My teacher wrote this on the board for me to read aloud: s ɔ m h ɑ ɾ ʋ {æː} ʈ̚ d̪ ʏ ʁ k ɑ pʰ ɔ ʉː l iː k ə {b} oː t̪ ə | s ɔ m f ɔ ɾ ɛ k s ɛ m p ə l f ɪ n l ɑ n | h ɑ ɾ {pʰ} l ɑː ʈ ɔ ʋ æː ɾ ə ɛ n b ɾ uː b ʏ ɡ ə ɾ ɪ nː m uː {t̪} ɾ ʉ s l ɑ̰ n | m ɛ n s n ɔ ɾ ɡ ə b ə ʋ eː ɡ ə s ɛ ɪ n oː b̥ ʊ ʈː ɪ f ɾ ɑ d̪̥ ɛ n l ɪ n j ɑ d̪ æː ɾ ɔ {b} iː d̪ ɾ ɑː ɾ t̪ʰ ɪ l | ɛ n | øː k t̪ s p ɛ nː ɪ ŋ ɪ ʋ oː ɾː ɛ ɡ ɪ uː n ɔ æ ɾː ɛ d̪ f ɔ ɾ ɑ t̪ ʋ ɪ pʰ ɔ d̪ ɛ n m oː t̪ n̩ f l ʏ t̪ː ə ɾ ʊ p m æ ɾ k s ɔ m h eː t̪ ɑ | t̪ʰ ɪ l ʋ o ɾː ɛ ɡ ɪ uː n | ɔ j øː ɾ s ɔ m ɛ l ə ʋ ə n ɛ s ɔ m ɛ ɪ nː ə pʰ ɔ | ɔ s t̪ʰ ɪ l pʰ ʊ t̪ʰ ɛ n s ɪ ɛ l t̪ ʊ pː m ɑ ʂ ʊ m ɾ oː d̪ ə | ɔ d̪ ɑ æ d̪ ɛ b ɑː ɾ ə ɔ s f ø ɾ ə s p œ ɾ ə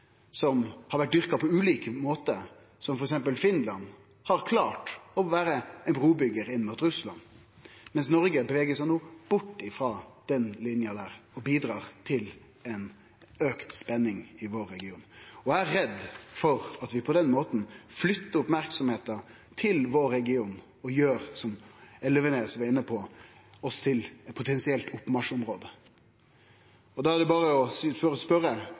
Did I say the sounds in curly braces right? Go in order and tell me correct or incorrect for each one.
incorrect: æ, incorrect: m, incorrect: kʰ, correct, correct

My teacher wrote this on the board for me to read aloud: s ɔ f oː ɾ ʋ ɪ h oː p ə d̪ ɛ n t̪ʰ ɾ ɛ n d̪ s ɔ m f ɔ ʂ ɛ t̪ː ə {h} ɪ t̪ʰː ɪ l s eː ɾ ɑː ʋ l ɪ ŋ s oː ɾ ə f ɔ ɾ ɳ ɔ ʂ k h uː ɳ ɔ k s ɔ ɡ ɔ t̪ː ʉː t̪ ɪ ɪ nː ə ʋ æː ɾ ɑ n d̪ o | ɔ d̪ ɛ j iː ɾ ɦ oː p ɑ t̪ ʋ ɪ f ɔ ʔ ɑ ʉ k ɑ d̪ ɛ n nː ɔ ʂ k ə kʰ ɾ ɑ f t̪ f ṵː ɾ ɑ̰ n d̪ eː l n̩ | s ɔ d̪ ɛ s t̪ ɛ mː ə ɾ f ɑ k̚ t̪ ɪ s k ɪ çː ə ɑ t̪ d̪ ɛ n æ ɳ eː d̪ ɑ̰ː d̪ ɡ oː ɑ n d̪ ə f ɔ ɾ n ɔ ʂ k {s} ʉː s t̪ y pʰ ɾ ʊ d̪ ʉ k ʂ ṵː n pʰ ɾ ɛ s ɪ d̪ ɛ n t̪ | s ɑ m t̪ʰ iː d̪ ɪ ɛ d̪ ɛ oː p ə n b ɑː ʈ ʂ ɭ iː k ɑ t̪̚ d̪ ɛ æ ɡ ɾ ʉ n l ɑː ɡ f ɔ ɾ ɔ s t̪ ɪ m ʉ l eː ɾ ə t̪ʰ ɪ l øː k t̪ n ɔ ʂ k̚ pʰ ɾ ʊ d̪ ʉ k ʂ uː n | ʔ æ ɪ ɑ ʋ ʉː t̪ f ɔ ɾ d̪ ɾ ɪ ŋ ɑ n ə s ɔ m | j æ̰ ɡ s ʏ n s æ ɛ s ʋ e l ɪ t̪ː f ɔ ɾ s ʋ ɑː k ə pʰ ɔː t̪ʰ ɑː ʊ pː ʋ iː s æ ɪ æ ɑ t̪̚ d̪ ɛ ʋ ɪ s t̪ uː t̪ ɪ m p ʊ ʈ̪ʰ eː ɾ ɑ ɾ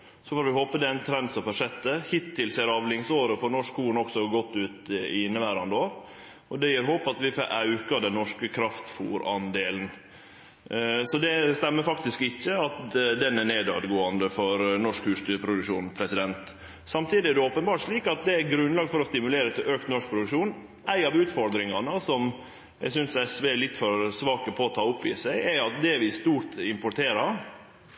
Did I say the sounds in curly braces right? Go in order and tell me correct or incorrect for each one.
correct, incorrect: h

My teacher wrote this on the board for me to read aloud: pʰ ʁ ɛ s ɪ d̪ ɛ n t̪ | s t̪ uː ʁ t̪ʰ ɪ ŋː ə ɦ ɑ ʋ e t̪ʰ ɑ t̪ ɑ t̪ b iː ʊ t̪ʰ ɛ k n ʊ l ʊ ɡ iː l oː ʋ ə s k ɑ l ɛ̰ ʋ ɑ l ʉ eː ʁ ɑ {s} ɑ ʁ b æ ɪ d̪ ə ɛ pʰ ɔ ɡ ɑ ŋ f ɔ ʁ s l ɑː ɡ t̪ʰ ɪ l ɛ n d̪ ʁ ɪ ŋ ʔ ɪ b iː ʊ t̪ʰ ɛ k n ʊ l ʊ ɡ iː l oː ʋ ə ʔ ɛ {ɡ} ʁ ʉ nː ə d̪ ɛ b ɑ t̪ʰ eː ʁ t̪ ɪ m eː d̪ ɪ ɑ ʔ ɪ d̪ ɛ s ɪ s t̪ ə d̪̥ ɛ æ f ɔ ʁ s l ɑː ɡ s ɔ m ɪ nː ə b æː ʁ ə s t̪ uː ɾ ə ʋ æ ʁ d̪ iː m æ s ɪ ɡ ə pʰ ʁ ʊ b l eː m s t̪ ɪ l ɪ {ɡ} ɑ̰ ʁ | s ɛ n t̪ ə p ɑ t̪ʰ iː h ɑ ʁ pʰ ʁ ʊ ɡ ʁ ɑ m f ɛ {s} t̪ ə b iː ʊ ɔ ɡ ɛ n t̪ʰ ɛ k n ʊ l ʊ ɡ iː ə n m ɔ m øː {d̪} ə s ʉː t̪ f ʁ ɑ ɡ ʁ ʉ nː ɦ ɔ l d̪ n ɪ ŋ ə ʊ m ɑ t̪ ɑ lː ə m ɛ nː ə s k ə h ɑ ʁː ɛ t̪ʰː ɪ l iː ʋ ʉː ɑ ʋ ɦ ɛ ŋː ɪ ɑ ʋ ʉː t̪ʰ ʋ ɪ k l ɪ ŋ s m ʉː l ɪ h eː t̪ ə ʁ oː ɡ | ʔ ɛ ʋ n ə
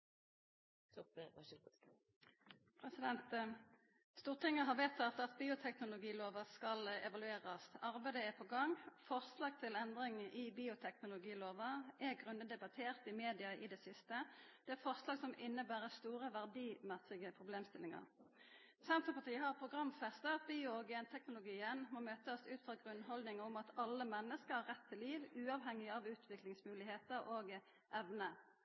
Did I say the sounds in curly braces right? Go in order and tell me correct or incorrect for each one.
correct, correct, incorrect: ŋ, correct, incorrect: t̪

